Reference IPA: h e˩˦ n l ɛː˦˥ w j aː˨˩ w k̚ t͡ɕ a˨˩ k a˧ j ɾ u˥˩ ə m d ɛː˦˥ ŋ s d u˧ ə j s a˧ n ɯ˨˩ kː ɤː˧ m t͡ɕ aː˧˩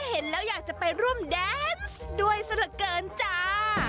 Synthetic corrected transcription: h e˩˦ n l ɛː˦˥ w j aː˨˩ k̚ t͡ɕ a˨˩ p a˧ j ɾ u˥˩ ə m d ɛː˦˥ n s d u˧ ə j s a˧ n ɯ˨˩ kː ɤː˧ n t͡ɕ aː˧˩